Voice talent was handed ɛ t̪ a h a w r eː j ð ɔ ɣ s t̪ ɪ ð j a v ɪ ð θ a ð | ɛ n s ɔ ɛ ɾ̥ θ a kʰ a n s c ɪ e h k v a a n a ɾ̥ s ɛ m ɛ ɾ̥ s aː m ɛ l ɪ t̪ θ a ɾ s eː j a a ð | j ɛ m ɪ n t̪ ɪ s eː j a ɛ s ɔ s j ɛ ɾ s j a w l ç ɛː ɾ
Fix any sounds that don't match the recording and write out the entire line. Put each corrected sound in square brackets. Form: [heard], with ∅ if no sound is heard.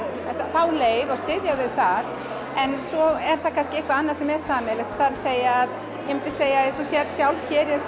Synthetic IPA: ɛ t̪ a [θ] a w [l] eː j ð ɔ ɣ s t̪ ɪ ð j a v ɪ ð θ a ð | ɛ n s ɔ ɛ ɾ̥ θ a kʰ a n s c ɪ e h k v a a [nː] a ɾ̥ s ɛ m ɛ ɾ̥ s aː m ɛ l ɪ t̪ θ a ɾ s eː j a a ð | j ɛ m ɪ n t̪ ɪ s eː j a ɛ s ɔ s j ɛ ɾ s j a w l ç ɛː ɾ